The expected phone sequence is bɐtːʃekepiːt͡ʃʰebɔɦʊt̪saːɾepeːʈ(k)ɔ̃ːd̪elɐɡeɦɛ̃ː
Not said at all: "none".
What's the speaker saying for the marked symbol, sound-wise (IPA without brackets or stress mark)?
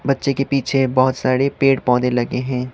p